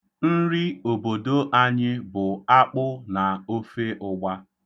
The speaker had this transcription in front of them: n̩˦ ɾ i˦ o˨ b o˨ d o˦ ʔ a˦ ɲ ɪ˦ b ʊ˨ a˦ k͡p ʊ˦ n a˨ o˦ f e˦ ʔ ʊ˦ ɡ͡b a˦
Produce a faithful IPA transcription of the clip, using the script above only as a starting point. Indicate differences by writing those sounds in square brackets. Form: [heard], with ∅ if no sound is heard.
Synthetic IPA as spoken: n̩˦ ɾ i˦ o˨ b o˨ d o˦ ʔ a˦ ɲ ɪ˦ b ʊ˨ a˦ k͡p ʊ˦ n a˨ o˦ f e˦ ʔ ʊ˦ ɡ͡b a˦